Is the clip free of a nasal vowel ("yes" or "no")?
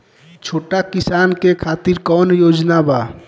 yes